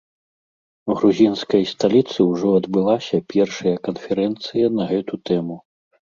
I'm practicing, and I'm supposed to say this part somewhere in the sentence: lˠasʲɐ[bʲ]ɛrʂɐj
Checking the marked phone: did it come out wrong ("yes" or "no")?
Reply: yes